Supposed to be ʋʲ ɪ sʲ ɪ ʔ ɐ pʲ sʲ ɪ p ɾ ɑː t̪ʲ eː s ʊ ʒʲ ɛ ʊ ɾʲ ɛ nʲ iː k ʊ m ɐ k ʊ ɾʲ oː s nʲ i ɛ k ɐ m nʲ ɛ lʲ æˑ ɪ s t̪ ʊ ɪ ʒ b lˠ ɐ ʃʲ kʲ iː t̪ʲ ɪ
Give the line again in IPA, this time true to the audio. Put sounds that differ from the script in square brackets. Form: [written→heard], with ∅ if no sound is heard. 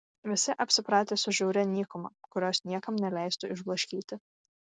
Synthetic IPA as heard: ʋʲ ɪ sʲ ɪ ʔ ɐ pʲ sʲ ɪ p ɾ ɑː t̪ʲ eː s ʊ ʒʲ ɛ ʊ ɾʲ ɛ nʲ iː k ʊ m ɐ k ʊ ɾʲ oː s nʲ i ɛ k ɐ m nʲ ɛ lʲ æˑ ɪ s t̪ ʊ ɪ ʒ b lˠ ɐ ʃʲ kʲ iː t̪ʲ ɪ